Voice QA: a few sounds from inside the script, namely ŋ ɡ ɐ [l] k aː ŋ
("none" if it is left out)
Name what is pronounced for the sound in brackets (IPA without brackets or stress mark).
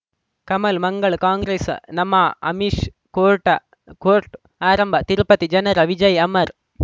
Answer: ɭ